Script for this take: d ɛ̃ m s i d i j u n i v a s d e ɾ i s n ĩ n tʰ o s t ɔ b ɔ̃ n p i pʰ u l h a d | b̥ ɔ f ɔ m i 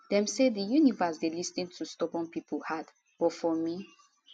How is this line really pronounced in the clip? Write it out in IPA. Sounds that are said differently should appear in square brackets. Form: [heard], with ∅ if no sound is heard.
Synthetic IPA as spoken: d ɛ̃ m s [e] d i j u n i v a s d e [l] i s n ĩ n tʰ [u] s t ɔ b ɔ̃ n p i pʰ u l h a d | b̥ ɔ f ɔ m i

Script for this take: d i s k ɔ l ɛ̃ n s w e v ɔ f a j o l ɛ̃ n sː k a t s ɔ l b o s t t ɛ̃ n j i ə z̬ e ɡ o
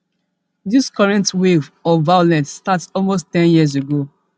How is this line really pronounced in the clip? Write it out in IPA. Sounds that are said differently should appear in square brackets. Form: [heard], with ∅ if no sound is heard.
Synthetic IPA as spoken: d i s k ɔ [ɹ] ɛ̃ n [t] w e v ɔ [v] a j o l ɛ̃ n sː [t] a t s ɔ l [m] o s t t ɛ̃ n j i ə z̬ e ɡ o

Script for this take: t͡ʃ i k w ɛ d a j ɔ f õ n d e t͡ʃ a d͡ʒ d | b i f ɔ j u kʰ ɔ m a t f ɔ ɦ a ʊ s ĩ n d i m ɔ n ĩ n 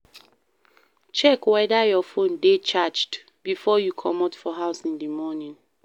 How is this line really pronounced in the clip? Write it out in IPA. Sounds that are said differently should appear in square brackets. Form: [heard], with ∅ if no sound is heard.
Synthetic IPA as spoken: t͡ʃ [ɛ] k w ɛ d a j ɔ f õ n d e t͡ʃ a d͡ʒ d | b i f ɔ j u kʰ ɔ m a t f ɔ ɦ a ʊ s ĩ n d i m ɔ n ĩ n

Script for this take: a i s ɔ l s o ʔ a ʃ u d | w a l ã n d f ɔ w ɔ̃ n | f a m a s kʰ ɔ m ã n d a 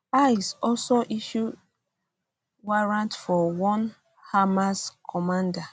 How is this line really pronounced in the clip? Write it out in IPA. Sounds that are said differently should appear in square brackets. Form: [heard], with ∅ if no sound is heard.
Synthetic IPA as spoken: a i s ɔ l s o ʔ [i] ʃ u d | w a [ɹ] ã n [t] f ɔ w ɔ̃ n | [h] a m a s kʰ ɔ m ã n d a

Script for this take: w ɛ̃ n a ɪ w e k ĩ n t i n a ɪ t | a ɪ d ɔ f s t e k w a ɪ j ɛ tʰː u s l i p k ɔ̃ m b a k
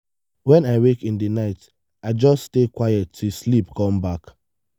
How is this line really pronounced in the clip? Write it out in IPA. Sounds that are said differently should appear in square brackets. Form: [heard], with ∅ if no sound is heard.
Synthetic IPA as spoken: w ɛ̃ n a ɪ w e k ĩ n [d] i n a ɪ t | a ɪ [d͡ʒ] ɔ [s] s t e k w a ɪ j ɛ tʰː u s l i p k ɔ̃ m b a k

